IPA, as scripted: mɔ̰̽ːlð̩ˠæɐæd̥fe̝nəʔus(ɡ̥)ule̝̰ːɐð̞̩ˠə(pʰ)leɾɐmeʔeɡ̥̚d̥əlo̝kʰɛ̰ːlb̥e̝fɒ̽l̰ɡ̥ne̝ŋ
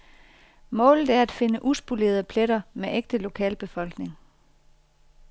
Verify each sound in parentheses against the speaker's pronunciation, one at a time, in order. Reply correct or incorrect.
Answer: incorrect, correct

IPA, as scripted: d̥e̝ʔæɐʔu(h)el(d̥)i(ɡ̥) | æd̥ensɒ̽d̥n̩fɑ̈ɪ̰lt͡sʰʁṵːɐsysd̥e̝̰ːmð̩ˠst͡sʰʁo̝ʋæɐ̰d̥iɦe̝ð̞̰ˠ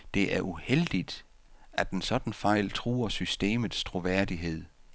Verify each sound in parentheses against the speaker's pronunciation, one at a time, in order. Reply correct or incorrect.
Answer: correct, correct, incorrect

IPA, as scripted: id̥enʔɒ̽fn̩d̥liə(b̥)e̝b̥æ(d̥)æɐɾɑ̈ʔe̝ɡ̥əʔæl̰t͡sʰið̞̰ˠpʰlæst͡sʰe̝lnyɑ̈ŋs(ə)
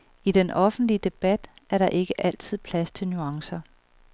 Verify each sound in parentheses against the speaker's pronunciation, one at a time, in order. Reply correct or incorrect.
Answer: incorrect, correct, incorrect

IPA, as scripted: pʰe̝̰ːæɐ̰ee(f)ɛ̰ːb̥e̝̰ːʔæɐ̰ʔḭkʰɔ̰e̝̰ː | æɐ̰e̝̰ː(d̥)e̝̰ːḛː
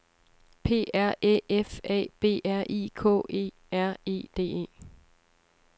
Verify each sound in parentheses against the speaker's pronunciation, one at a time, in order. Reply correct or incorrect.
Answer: correct, correct

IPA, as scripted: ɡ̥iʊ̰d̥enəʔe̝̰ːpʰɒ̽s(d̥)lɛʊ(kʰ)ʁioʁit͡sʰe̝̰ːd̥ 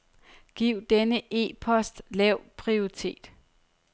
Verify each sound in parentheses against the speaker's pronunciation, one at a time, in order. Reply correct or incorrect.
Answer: correct, incorrect

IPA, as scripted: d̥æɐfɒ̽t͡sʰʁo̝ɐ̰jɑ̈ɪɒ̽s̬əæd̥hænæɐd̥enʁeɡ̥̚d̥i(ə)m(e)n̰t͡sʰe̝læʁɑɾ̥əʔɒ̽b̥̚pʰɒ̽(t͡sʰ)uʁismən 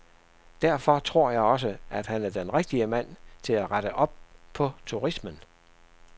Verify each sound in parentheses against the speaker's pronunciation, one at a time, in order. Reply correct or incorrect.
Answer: correct, incorrect, correct

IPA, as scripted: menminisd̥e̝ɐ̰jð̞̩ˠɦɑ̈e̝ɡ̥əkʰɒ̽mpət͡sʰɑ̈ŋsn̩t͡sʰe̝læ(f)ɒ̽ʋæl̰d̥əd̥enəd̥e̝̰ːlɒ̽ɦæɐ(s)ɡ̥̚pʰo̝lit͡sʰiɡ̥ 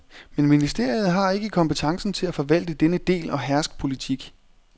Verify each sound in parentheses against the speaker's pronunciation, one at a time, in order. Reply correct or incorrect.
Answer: correct, correct

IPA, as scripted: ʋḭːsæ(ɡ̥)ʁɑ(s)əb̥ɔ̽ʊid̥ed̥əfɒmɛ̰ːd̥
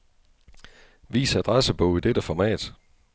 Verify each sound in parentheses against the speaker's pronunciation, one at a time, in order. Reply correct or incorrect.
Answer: incorrect, correct

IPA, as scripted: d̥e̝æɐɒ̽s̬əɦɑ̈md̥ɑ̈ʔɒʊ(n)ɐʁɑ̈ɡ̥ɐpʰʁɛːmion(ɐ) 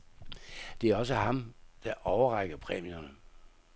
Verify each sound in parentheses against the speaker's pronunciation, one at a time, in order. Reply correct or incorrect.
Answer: incorrect, incorrect

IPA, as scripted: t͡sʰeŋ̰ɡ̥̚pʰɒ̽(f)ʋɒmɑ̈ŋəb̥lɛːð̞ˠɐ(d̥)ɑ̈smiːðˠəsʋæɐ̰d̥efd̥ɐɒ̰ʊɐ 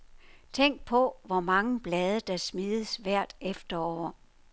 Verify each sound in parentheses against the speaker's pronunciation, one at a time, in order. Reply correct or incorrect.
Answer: incorrect, correct

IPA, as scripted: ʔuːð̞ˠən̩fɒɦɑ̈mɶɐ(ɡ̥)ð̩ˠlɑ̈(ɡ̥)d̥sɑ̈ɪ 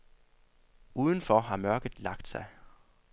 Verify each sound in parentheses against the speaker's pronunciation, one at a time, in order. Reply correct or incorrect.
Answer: correct, correct

